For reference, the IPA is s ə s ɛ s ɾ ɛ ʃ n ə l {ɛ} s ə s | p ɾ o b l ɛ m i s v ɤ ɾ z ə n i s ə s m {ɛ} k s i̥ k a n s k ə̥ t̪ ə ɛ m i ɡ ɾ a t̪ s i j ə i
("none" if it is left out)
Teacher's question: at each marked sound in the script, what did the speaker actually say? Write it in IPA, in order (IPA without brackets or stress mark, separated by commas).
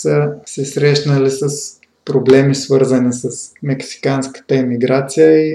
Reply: i, ɛ